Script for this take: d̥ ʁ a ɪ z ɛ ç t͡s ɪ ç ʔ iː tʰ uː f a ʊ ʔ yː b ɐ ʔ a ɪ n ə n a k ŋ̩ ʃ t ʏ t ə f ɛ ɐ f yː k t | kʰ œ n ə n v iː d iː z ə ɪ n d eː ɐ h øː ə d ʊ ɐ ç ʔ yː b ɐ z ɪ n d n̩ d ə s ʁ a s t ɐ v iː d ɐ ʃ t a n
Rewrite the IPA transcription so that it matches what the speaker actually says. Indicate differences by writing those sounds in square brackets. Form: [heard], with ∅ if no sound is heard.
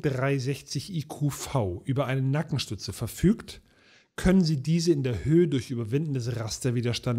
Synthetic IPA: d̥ ʁ a ɪ z ɛ ç t͡s ɪ ç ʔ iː [kʰ] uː f a ʊ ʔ yː b ɐ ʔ a ɪ n ə n a k ŋ̩ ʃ t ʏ [t͡s] ə f ɛ ɐ f yː k t | kʰ œ n ə n [z] iː d iː z ə ɪ n d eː ɐ h øː ə d ʊ ɐ ç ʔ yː b ɐ [v] ɪ n d n̩ d ə s ʁ a s t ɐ v iː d ɐ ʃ t a n